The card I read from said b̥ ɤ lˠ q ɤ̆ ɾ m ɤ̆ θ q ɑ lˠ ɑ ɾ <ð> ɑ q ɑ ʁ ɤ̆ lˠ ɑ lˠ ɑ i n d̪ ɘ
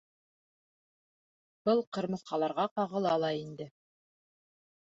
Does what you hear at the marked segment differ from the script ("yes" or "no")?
yes